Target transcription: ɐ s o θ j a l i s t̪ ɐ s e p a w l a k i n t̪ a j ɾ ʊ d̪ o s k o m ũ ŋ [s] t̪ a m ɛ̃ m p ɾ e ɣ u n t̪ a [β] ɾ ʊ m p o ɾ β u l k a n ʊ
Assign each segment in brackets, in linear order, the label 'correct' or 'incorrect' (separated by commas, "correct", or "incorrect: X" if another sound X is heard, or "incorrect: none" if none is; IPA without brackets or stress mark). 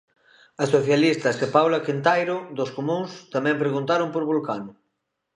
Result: correct, incorrect: none